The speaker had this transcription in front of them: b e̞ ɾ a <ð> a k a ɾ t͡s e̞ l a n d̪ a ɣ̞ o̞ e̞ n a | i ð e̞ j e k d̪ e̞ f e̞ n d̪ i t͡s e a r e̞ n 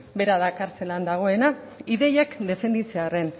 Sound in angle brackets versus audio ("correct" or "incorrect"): correct